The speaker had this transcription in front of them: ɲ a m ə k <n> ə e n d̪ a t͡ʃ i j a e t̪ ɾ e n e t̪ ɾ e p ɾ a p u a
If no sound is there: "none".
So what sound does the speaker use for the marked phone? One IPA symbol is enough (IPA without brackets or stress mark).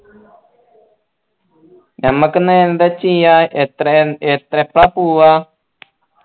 n